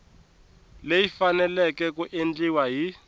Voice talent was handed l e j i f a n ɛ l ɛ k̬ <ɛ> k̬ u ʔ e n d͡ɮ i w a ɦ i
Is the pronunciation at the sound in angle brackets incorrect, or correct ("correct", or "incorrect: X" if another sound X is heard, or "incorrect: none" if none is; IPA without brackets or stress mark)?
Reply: correct